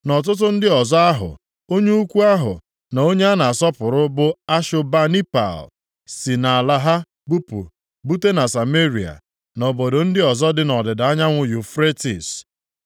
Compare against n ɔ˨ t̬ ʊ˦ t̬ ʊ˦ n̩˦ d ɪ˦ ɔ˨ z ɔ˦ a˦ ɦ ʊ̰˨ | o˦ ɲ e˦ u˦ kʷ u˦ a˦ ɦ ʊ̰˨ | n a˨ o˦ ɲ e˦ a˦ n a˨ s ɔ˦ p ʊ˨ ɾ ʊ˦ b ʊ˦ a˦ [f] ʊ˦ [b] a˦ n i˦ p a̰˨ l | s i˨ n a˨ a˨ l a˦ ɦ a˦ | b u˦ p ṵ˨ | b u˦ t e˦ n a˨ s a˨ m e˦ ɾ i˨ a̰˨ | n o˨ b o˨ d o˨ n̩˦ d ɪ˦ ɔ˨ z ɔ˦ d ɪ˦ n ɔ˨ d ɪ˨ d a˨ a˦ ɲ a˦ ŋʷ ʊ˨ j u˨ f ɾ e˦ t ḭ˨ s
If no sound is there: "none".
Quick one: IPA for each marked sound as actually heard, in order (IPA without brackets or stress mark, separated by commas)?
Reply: ʃ, b